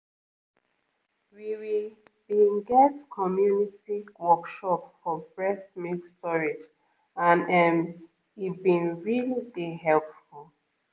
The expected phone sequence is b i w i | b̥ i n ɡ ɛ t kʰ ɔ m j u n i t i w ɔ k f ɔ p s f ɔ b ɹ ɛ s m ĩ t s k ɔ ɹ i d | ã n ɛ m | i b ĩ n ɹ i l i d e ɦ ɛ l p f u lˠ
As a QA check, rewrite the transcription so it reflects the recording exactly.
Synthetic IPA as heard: w i w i | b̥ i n ɡ ɛ t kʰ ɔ m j u n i t i w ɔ k ʃ ɔ p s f ɔ b ɹ ɛ s m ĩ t s t ɔ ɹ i d͡ʒ | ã n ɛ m | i b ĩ n ɹ i l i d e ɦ ɛ l p f u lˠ